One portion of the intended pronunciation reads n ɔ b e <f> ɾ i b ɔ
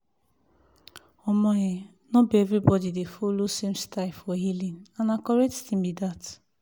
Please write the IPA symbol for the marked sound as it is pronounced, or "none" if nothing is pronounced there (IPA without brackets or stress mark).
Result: v